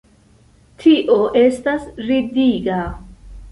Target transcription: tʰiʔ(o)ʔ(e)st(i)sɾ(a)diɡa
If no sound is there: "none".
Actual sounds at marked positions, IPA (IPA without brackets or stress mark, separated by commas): o, e, a, i